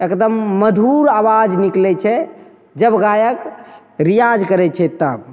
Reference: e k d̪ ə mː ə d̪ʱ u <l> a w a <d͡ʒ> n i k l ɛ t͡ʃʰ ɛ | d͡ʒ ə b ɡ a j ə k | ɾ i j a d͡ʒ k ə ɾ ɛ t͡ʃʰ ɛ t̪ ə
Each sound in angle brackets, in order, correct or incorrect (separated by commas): incorrect, correct